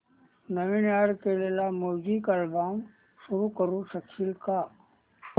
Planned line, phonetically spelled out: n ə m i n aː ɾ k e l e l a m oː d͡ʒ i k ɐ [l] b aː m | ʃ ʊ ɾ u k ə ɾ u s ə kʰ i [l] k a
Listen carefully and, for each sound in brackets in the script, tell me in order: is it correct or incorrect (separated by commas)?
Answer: correct, correct